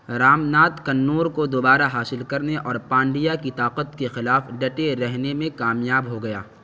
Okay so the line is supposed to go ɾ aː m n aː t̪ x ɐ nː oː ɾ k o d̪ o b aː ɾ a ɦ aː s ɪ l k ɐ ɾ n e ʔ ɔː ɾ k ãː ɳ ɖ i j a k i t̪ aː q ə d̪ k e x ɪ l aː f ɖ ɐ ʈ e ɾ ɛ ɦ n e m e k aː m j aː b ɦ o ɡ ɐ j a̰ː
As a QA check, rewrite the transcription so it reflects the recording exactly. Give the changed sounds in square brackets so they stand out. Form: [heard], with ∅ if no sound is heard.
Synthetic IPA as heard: ɾ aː m n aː t̪ [k] ɐ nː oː ɾ k o d̪ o b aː ɾ a ɦ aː s ɪ l k ɐ ɾ n e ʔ ɔː ɾ [p] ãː ɳ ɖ i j a k i t̪ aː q ə [t̪] k e x ɪ l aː f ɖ ɐ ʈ e ɾ ɛ ɦ n e m [ẽ] k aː m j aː b ɦ o ɡ ɐ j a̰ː